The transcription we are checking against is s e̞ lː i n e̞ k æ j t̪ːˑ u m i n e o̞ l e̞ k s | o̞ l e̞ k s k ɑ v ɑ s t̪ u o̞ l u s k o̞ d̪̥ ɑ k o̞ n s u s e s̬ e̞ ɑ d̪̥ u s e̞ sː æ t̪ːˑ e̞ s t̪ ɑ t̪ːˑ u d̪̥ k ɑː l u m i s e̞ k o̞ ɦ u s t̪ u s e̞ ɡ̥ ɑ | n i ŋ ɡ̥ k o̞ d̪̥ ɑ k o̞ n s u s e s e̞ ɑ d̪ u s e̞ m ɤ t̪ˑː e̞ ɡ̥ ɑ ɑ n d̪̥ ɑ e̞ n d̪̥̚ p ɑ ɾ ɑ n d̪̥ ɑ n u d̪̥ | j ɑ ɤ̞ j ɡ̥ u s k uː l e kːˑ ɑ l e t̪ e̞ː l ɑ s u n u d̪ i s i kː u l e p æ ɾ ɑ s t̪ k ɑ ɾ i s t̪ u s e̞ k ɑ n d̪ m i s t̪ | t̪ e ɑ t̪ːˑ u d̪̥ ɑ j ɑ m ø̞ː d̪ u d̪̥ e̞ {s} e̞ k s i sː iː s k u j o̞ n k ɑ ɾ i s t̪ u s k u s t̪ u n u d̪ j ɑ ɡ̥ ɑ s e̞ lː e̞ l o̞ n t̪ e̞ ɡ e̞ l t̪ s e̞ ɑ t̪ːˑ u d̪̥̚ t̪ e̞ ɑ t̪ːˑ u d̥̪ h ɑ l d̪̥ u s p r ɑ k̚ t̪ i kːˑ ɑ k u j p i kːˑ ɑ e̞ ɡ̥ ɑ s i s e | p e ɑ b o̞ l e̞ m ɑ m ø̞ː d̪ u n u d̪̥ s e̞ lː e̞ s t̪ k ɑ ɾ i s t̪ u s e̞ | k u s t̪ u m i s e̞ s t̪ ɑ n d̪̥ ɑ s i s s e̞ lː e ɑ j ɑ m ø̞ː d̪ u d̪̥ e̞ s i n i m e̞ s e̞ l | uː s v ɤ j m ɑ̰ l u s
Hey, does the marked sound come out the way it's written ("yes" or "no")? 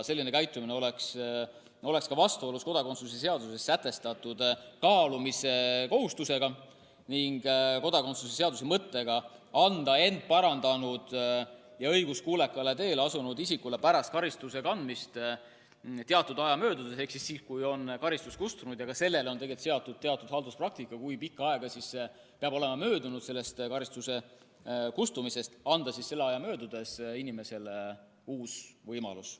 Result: yes